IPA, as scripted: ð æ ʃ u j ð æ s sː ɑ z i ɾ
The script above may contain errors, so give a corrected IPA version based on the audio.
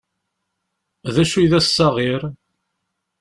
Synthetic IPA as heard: ð æ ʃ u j ð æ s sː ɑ ʁ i ɾ

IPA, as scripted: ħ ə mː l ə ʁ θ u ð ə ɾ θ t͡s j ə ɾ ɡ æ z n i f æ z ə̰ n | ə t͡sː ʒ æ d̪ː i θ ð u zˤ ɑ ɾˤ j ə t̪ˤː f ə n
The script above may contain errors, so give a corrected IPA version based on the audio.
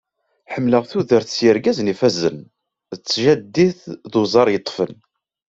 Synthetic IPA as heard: ħ ə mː l ə ʁ θ u ð ə ɾ θ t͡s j ə ɾ ɡ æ z n i f æ z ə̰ n | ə t͡sː ʒ æ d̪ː i θ ð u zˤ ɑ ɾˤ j ə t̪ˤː f ə n

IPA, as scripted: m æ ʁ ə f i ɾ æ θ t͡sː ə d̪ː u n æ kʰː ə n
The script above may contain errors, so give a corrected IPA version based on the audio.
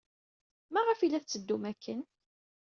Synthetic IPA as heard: m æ ʁ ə f i l æ θ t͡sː ə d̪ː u m æ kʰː ə n

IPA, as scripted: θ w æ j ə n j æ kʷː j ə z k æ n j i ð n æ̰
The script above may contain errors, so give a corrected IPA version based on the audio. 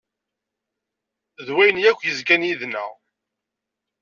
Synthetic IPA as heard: ð w æ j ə n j æ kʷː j ə z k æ n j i ð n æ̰

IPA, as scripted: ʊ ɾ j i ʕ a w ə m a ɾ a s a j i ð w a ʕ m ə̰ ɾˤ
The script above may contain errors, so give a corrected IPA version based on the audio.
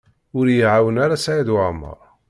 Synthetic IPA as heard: ʊ ɾ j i ʕ a w ə n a ɾ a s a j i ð w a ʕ m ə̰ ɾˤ

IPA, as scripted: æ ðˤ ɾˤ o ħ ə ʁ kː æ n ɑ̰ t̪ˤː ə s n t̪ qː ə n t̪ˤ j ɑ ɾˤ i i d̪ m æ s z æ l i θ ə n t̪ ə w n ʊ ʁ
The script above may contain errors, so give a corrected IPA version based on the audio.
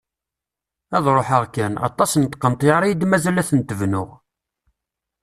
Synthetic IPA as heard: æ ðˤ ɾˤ o ħ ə ʁ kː æ n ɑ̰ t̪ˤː ɑ s n t̪ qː ə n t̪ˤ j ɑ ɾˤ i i d̪ m æ z æ l æ θ ə n t̪ ə v n ʊ ʁ

